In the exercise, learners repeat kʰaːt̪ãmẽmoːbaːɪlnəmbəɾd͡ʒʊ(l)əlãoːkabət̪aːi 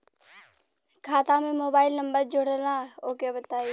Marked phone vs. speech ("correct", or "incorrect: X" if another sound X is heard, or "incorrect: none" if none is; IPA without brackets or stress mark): incorrect: ɽ